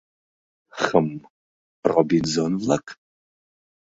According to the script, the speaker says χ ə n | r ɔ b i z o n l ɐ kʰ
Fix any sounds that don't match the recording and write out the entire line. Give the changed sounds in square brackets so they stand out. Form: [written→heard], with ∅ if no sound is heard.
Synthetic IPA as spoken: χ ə [n→m] | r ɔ b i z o n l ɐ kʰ